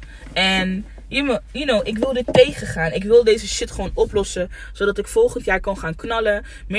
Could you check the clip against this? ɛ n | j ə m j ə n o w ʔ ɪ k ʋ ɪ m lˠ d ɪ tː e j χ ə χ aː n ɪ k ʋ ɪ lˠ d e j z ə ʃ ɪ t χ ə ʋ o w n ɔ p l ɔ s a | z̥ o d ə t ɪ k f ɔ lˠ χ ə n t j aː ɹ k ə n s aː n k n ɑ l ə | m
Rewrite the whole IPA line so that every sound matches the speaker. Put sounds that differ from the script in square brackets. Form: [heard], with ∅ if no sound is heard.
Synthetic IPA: ɛ n | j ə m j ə n o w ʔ ɪ k ʋ ɪ [∅] lˠ d ɪ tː e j χ ə χ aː n ɪ k ʋ ɪ lˠ d e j z ə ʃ ɪ t χ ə ʋ o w n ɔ p l ɔ s [ə] | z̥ o d [ɑ] t ɪ k f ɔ lˠ χ ə n t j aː ɹ k [ɑ] n [χ] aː n k n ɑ l ə | m